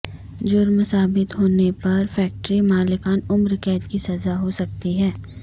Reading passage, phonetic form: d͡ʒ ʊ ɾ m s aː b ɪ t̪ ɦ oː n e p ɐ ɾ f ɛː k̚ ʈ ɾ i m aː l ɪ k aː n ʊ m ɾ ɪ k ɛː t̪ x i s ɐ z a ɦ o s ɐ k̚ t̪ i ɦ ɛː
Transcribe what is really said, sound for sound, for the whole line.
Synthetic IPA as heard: d͡ʒ ʊ ɾ m s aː b ɪ t̪ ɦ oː n e p ɐ ɾ f ɛː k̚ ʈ ɾ i m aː l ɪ k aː n ʊ m ɾ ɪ k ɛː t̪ k i s ɐ z a ɦ o s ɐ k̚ t̪ i ɦ ɛː